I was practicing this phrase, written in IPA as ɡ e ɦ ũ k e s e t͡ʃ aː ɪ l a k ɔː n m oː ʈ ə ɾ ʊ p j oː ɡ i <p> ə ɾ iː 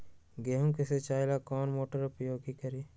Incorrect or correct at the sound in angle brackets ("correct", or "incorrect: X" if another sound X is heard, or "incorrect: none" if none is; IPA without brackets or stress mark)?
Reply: incorrect: k